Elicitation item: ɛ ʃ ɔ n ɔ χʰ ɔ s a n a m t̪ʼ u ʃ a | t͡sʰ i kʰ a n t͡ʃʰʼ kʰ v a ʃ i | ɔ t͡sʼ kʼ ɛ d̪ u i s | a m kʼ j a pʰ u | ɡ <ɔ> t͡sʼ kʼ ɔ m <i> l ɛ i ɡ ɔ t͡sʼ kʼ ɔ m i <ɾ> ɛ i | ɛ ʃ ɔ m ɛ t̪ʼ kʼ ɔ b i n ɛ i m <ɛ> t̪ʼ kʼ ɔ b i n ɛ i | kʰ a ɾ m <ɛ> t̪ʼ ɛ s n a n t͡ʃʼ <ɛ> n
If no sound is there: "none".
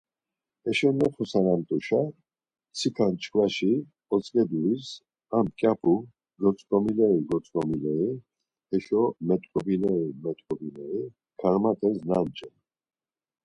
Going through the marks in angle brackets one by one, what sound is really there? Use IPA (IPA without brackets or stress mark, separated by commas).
ɔ, i, l, ɛ, a, ɛ